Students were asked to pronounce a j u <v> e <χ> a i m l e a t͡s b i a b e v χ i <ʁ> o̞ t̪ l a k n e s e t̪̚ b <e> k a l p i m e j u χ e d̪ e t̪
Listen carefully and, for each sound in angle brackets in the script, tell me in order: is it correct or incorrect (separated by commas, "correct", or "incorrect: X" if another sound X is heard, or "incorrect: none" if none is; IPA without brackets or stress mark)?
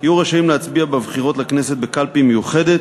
incorrect: ʁ, incorrect: ʃ, correct, correct